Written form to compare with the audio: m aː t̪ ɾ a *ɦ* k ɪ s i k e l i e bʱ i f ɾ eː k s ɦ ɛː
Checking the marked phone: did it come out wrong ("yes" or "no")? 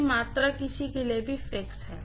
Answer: yes